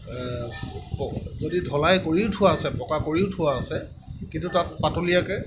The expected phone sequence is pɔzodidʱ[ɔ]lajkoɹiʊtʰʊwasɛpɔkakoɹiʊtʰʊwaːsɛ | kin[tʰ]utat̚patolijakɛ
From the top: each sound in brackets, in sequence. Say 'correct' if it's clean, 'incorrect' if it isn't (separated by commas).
correct, incorrect